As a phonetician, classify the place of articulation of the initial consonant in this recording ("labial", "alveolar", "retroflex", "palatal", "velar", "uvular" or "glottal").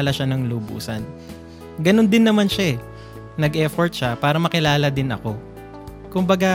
alveolar